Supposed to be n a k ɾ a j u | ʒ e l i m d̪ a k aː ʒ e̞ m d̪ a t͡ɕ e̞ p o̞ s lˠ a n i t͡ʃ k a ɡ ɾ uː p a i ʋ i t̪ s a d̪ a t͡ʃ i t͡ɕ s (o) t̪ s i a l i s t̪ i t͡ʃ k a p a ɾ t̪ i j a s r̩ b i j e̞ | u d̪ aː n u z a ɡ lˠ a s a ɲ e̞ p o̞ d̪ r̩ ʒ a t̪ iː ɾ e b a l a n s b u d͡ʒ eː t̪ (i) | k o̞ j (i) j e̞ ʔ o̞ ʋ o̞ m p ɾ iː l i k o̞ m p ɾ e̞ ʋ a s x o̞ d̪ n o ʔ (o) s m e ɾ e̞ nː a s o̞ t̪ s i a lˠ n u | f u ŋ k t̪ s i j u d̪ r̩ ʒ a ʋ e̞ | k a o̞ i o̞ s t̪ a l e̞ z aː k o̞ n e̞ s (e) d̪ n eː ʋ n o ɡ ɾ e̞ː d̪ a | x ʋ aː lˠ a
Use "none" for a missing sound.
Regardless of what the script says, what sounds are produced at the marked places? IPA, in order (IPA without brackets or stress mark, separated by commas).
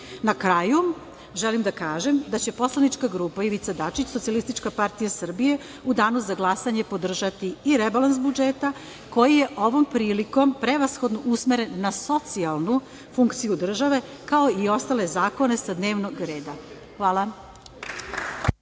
o, a, i, u, a